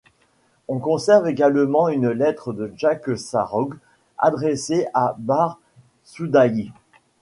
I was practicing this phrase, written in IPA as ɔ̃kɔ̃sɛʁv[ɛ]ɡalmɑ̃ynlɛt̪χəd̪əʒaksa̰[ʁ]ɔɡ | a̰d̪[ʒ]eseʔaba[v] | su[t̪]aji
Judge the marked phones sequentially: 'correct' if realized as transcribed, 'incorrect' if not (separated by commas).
incorrect, correct, incorrect, incorrect, incorrect